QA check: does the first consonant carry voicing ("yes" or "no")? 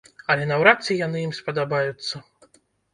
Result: yes